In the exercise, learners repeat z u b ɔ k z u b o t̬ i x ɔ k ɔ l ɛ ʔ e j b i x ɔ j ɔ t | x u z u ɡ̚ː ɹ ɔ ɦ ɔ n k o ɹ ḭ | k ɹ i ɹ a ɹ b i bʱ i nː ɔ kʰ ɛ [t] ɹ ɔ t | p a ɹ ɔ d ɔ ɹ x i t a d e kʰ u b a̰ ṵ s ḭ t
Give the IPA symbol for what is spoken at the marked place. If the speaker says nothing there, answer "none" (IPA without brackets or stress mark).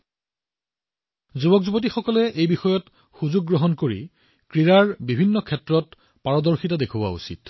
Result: t